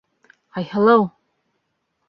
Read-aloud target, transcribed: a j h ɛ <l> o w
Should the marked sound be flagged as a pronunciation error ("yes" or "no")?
no